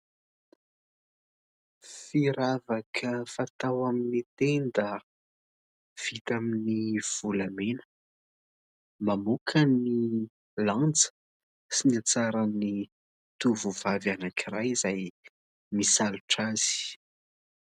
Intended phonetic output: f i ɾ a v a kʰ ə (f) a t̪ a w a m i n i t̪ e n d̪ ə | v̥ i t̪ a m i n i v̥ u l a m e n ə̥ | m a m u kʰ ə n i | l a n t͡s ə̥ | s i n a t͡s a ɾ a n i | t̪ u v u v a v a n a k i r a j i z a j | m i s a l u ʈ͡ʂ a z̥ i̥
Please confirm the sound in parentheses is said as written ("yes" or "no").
yes